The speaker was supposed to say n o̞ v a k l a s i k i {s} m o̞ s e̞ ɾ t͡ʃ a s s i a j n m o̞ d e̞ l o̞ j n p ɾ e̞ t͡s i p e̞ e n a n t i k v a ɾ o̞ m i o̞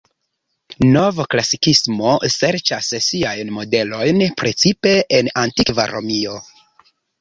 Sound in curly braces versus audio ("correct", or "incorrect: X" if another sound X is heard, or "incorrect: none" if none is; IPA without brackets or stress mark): correct